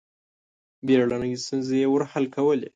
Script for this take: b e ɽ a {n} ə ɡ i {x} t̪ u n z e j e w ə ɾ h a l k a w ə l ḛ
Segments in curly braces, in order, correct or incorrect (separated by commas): correct, incorrect